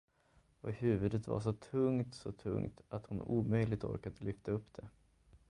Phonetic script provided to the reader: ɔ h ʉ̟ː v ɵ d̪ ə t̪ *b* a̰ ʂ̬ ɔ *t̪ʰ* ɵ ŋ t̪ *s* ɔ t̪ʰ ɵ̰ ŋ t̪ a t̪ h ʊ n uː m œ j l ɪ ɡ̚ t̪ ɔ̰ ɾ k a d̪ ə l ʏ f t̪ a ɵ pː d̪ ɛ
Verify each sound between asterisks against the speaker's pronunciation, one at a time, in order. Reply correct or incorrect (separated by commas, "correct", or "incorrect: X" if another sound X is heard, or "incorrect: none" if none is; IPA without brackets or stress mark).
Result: incorrect: v, correct, correct